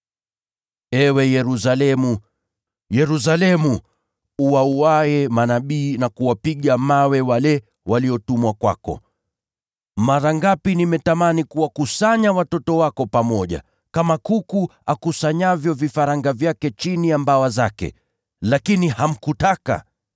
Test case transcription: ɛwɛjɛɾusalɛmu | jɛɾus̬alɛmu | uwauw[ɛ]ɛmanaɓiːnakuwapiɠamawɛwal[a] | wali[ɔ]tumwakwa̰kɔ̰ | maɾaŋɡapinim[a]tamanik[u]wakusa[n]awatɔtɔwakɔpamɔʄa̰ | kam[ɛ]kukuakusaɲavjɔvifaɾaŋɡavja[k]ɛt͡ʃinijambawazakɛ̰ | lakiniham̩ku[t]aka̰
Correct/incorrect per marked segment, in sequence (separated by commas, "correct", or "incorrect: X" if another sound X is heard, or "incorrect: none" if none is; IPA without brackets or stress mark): incorrect: a, incorrect: ɛ, correct, incorrect: ɛ, correct, incorrect: ɲ, incorrect: a, correct, correct